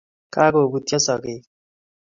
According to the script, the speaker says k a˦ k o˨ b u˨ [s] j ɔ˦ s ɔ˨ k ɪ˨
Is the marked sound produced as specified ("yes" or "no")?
no